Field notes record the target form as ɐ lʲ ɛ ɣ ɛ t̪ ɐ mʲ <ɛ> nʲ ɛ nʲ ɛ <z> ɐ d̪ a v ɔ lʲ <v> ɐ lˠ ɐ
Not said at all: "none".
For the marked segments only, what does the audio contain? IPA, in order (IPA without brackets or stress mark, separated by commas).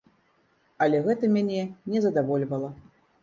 a, z, v